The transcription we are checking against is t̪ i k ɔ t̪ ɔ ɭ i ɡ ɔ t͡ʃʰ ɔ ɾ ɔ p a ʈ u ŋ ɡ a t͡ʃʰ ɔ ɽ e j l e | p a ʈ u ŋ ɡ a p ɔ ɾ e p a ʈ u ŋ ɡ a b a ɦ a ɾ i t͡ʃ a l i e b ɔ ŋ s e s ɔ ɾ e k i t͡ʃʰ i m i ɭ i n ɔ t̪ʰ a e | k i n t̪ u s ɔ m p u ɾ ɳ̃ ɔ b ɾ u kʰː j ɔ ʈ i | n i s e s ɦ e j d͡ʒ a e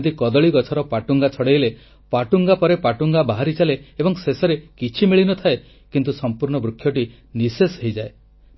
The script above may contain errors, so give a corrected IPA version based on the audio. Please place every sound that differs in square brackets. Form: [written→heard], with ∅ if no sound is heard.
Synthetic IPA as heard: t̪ i k ɔ [t̪→d̪] ɔ ɭ i ɡ ɔ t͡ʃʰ ɔ ɾ ɔ p a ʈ u ŋ ɡ a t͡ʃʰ ɔ ɽ e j l e | p a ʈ u ŋ ɡ a p ɔ ɾ e p a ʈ u ŋ ɡ a b a ɦ a ɾ i t͡ʃ a l [i→e] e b ɔ ŋ s e s ɔ ɾ e k i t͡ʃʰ i m i ɭ i n ɔ t̪ʰ a e | k i n t̪ u s ɔ m p u ɾ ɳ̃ ɔ b ɾ u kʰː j ɔ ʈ i | n i s e s ɦ e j d͡ʒ a e